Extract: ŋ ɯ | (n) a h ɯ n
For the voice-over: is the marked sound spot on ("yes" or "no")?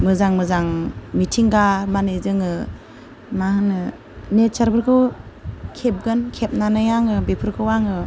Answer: no